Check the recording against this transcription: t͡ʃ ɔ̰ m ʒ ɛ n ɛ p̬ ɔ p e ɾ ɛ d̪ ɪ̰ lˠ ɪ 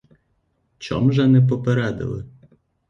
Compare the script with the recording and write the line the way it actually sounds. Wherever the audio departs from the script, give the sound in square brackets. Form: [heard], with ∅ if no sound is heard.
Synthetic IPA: t͡ʃ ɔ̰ m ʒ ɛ n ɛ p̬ ɔ p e ɾ ɛ d̪ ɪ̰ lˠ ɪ

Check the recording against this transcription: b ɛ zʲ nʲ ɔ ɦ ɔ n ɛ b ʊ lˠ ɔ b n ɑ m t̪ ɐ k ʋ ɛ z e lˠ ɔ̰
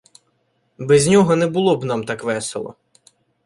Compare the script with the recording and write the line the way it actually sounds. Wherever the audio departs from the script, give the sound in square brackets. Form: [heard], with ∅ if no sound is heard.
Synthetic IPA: b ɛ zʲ nʲ ɔ ɦ ɔ n ɛ b ʊ lˠ ɔ b n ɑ m t̪ [ɑ] k ʋ ɛ [s] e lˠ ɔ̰

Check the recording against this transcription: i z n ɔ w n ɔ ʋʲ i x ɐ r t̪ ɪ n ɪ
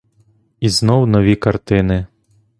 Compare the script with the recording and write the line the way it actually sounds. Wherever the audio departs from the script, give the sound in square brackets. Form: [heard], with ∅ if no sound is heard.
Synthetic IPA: i z n ɔ w n ɔ ʋʲ i [k] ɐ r t̪ ɪ n ɪ

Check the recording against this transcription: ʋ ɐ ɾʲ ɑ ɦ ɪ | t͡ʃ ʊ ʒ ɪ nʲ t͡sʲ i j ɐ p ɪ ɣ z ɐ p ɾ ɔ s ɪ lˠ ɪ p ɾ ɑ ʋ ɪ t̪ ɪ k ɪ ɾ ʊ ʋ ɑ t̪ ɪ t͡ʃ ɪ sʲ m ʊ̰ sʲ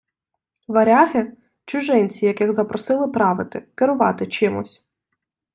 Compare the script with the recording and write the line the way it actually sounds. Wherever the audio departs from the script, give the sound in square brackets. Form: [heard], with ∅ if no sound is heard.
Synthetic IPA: ʋ ɐ ɾʲ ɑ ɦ ɪ | t͡ʃ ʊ ʒ ɪ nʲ t͡sʲ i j ɐ [k] ɪ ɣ z ɐ p ɾ ɔ s ɪ lˠ ɪ p ɾ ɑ ʋ ɪ t̪ ɪ k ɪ ɾ ʊ ʋ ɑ t̪ ɪ t͡ʃ ɪ [∅] m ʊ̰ sʲ

